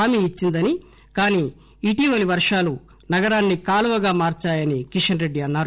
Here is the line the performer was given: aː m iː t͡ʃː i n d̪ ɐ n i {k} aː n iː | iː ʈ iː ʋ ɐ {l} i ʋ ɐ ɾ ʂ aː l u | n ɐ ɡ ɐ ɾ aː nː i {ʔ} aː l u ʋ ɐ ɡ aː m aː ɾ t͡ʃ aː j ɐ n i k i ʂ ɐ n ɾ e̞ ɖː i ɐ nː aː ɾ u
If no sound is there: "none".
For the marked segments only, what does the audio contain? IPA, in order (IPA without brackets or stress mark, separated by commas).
k, l, k